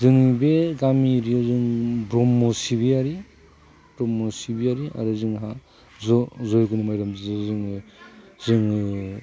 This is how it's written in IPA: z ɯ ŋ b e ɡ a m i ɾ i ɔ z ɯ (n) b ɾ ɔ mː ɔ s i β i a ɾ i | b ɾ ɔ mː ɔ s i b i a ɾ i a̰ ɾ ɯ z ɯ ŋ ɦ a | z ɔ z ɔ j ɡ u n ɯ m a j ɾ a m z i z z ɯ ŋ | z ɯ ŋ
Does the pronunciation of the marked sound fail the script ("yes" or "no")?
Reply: yes